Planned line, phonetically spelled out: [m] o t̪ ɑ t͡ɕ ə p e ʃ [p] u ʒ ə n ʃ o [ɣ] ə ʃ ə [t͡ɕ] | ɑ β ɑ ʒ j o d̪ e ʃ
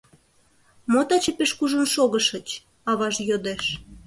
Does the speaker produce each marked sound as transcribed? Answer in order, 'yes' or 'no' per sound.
yes, no, yes, yes

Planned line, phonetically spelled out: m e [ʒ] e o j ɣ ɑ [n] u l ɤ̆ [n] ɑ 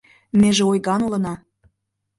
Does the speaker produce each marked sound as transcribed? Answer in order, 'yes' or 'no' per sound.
yes, yes, yes

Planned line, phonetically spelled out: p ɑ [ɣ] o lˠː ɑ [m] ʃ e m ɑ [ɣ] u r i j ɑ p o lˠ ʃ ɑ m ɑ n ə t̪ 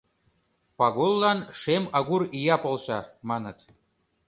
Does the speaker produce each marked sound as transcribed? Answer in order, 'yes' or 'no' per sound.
yes, no, yes

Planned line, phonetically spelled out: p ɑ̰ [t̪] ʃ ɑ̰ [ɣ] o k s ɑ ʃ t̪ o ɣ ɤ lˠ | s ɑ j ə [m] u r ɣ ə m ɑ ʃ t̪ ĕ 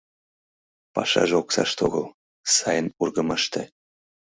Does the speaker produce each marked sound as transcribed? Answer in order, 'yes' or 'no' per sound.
no, no, no

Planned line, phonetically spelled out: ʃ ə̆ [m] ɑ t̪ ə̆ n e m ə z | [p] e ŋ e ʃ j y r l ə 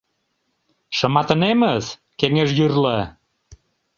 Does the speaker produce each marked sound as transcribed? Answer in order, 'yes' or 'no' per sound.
yes, no

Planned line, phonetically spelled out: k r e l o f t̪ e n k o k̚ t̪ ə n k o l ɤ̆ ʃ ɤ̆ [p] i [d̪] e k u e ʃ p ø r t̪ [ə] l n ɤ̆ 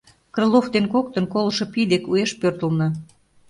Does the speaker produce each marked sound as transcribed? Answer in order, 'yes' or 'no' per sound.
yes, yes, yes

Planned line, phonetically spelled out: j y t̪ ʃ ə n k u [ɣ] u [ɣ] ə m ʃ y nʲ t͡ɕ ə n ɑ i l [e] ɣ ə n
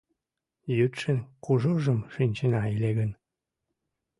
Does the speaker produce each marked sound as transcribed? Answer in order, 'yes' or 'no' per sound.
no, no, yes

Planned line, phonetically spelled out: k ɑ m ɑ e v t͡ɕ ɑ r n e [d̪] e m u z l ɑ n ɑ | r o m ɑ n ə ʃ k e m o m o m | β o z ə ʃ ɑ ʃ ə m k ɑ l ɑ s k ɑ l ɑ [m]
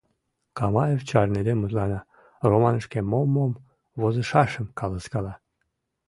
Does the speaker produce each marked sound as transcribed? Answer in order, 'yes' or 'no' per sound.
yes, no

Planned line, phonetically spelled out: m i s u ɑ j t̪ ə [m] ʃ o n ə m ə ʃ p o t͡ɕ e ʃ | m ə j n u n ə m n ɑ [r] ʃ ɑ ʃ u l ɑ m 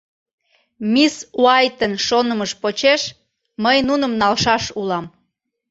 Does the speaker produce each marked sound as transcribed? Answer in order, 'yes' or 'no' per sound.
no, no

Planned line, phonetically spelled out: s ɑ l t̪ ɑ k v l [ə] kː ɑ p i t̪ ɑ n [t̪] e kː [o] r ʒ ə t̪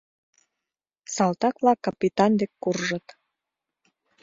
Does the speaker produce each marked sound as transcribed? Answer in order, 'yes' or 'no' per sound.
no, no, no

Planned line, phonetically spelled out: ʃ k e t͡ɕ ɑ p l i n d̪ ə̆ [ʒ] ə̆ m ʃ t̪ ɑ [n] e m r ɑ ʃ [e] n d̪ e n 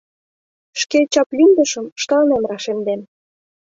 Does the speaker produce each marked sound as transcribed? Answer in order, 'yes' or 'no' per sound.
no, yes, yes

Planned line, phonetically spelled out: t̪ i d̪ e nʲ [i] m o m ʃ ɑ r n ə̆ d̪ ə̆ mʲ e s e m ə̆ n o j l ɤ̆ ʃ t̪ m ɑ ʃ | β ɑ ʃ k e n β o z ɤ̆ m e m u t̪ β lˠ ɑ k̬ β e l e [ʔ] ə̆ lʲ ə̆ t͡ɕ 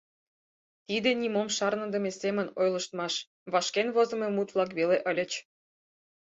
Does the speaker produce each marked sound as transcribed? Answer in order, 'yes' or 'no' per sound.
yes, yes

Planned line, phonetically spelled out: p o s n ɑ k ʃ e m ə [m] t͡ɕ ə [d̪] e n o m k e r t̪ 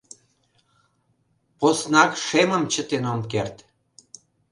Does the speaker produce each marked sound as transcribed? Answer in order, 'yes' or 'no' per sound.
yes, no

